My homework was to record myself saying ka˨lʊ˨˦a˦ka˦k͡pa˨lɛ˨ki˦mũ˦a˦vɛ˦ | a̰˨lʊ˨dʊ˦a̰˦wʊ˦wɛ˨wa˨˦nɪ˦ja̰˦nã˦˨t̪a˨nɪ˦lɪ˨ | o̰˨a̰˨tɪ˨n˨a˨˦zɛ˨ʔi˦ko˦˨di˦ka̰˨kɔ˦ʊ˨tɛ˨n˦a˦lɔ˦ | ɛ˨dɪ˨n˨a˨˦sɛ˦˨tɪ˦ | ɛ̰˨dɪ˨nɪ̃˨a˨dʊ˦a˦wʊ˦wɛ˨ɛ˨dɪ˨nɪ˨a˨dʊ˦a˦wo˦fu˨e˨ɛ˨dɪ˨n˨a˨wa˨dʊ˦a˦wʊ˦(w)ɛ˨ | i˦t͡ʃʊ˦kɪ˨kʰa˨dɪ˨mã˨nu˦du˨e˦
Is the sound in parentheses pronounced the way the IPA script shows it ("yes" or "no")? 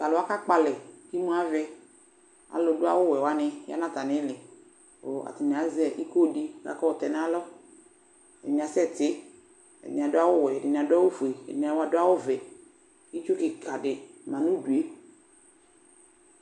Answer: no